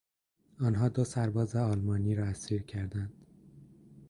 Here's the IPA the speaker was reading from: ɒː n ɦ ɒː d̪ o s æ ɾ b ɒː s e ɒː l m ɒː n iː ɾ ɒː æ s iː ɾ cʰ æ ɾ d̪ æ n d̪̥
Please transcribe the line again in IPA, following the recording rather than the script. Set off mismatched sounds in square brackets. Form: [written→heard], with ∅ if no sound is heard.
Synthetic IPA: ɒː n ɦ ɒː d̪ o s æ ɾ b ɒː [s→z] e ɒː l m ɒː n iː ɾ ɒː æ s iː ɾ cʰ æ ɾ d̪ æ n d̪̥